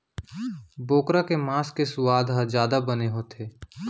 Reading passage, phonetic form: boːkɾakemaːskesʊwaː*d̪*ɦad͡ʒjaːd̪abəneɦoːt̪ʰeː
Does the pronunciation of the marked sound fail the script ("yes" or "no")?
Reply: no